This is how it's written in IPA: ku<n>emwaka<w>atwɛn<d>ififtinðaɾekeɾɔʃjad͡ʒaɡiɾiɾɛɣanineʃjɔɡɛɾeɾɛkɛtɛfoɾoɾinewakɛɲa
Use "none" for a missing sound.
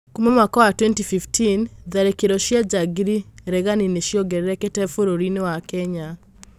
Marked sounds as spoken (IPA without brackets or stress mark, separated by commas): m, w, t